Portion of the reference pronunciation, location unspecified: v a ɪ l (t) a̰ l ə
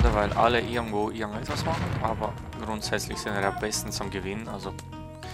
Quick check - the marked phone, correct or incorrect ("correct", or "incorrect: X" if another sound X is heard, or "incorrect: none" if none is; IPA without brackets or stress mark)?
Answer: incorrect: ʔ